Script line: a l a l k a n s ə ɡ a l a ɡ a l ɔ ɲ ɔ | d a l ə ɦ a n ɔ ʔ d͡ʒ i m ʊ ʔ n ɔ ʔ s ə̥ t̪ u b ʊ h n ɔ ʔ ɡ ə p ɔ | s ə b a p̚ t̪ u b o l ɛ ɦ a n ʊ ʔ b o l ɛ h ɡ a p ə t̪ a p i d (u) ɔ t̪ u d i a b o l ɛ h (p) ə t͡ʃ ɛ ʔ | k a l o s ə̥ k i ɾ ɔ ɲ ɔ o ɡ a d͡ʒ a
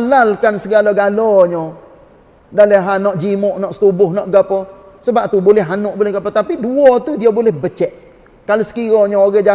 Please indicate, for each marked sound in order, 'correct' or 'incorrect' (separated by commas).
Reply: correct, incorrect